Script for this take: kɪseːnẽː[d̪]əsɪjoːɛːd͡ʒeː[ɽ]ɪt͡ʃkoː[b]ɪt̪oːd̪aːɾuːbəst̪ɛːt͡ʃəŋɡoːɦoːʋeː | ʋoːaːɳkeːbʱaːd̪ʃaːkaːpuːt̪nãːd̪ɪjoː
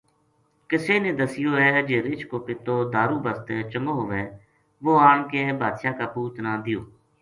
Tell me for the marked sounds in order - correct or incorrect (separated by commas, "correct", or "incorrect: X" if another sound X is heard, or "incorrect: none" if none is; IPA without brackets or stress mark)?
correct, incorrect: ɾ, incorrect: p